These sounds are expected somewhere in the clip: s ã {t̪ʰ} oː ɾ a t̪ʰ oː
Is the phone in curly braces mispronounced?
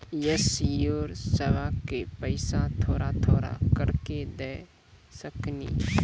no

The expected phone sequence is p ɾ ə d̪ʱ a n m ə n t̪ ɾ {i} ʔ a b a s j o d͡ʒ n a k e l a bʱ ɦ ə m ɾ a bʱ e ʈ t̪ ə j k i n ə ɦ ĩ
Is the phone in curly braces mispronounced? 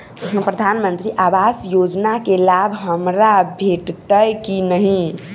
no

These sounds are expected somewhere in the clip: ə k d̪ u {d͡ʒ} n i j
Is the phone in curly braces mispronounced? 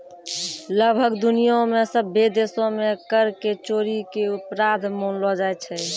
yes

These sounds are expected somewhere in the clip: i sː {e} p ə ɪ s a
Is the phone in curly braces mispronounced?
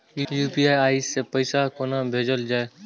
no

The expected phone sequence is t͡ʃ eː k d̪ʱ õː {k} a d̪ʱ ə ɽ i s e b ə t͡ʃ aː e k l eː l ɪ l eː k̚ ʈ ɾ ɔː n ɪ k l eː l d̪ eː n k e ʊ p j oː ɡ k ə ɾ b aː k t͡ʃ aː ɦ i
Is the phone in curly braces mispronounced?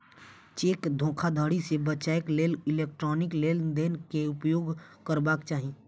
yes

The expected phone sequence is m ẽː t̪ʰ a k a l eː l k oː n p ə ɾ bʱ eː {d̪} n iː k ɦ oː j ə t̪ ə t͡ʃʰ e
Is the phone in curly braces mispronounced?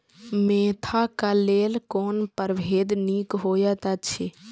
no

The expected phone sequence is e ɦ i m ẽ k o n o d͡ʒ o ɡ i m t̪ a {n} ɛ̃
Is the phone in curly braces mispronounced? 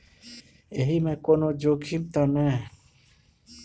no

